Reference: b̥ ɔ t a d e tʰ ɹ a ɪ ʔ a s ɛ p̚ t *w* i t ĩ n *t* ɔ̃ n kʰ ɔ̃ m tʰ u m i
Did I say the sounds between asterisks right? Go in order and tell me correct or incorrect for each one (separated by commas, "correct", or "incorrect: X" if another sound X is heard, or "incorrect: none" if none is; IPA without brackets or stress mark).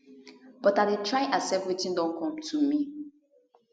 correct, incorrect: d